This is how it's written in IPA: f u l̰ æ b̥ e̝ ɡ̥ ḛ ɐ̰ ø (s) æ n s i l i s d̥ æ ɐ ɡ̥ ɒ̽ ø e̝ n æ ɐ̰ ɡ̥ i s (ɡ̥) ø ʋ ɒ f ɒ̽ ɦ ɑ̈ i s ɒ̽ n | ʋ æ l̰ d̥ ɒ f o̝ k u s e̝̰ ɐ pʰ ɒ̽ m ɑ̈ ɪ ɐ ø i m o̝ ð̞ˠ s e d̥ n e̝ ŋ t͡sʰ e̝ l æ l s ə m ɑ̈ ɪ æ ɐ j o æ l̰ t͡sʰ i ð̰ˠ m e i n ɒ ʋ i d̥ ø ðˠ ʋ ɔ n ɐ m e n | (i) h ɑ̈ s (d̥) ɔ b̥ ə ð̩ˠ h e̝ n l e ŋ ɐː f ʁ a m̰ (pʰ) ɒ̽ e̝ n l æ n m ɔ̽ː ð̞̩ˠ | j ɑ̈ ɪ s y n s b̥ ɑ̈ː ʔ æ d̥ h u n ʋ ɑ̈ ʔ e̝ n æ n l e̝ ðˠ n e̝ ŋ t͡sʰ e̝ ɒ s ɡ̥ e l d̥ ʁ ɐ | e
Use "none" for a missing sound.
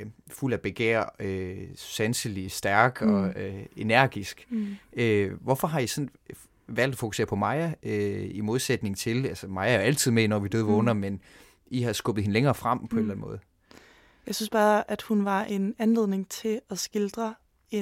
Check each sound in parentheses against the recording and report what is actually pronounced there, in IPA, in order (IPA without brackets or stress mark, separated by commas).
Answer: s, ɡ̥, i, ɡ̥, pʰ